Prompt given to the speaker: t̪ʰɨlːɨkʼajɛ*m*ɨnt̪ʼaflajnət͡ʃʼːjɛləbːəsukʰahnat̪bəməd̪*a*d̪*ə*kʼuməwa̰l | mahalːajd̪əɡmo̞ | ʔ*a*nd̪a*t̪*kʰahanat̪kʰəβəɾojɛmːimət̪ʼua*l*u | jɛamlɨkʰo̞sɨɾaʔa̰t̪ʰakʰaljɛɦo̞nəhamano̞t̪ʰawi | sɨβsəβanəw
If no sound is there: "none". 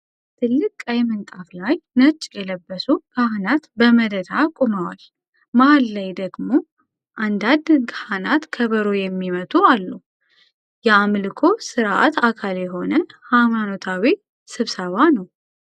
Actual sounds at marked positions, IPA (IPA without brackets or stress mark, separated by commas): m, ə, a, a, d̪, lː